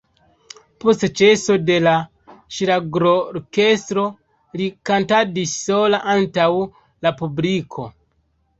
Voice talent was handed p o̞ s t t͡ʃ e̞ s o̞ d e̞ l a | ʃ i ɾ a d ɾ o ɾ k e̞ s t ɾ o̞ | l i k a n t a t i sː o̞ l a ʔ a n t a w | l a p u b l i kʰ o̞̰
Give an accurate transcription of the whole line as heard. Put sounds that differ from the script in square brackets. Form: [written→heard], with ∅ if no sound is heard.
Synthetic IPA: p o̞ s t t͡ʃ e̞ s o̞ d e̞ l a | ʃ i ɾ a [d→ɡ] ɾ o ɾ k e̞ s t ɾ o̞ | l i k a n t a [t→d] i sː o̞ l a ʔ a n t a w | l a p u b l i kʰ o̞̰